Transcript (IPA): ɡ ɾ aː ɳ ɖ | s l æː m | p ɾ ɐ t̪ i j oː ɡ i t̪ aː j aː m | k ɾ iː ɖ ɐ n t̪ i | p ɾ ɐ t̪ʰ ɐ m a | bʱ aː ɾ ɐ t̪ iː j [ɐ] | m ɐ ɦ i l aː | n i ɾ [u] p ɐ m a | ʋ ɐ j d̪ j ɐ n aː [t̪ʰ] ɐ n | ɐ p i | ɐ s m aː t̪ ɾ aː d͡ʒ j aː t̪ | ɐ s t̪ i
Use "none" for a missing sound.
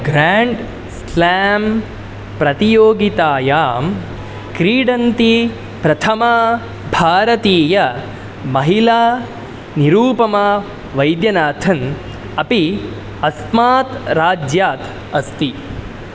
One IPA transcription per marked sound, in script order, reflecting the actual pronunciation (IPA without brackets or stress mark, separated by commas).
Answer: ɐ, uː, t̪ʰ